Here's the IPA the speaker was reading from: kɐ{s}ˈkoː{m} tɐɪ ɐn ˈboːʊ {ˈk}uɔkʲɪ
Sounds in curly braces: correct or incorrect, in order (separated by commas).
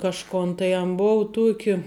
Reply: incorrect, incorrect, incorrect